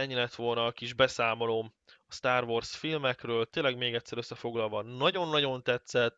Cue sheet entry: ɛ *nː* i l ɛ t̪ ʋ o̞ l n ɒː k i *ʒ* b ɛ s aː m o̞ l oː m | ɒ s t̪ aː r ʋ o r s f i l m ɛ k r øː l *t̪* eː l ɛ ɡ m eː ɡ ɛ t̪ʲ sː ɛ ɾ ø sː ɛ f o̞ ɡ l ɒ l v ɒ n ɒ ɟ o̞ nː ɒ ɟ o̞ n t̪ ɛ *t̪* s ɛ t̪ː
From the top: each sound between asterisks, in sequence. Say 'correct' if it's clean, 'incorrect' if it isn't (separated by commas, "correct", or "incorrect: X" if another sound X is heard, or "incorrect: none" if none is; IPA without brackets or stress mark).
incorrect: ɲː, correct, correct, correct